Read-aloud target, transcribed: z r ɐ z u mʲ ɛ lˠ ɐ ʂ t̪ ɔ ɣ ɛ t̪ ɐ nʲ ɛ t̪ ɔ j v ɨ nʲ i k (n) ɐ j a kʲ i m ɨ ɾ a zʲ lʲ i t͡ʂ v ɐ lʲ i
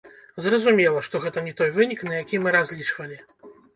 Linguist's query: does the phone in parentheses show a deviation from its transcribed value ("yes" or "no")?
no